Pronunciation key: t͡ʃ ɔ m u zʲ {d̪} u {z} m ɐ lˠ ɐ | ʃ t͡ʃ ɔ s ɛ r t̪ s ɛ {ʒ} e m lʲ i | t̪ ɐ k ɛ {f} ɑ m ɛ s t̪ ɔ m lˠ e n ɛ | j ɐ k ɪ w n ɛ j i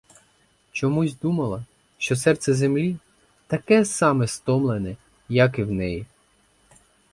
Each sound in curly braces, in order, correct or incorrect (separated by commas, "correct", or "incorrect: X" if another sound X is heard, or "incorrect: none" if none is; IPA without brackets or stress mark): correct, incorrect: none, incorrect: z, incorrect: s